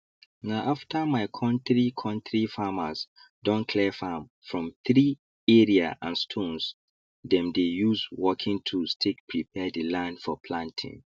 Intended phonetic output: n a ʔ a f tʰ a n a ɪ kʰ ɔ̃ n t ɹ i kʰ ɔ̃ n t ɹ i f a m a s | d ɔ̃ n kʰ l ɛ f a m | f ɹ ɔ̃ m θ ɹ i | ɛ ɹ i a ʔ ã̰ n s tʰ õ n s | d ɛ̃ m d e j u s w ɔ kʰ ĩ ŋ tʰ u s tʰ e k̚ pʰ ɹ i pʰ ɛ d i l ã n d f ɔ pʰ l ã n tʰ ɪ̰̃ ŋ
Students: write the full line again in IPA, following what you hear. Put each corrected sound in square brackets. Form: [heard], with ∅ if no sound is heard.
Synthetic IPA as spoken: n a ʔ a f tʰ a [m] a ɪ kʰ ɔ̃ n t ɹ i kʰ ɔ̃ n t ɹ i f a m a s | d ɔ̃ n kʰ l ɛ f a m | f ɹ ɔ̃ m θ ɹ i | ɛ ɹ i a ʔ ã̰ n s tʰ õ n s | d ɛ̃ m d e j u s w ɔ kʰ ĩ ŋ tʰ u s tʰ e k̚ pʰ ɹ i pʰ ɛ d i l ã n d f ɔ pʰ l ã n tʰ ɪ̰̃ ŋ